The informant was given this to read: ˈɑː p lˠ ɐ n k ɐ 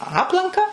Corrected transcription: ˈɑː p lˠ ɐ ŋ k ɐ